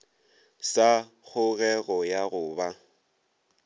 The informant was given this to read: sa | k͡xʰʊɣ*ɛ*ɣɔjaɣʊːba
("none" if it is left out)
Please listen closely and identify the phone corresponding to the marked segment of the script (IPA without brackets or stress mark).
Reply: ɛ